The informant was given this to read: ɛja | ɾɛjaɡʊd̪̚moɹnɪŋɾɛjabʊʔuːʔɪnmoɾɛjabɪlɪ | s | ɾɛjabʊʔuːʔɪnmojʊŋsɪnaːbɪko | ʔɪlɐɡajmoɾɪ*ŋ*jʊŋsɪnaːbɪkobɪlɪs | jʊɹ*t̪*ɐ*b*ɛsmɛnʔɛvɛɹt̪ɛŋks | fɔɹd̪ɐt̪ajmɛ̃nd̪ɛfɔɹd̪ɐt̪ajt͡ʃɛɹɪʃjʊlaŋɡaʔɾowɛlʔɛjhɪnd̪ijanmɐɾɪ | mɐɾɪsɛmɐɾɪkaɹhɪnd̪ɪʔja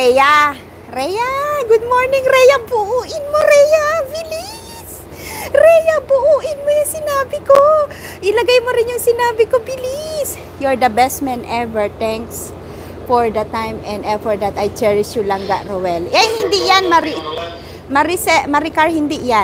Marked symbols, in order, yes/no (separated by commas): no, no, yes